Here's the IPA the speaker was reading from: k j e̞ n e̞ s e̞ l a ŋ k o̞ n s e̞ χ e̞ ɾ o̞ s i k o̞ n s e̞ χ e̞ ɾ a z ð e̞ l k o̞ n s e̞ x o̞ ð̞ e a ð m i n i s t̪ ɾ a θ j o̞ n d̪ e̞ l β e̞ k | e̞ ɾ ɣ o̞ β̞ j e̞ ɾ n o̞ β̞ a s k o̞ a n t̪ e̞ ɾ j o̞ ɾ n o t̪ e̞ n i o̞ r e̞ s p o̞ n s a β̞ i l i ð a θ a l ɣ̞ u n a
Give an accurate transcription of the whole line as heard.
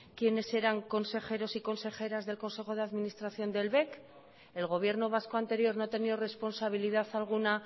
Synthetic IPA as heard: k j e̞ n e̞ s e̞ ɾ a ŋ k o̞ n s e̞ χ e̞ ɾ o̞ s i k o̞ n s e̞ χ e̞ ɾ a z ð e̞ l k o̞ n s e̞ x o̞ ð̞ e a ð m i n i s t̪ ɾ a θ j o̞ n d̪ e̞ l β e̞ k | e̞ l ɣ o̞ β̞ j e̞ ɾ n o̞ β̞ a s k o̞ a n t̪ e̞ ɾ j o̞ ɾ n o t̪ e̞ n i o̞ r e̞ s p o̞ n s a β̞ i l i ð a θ a l ɣ̞ u n a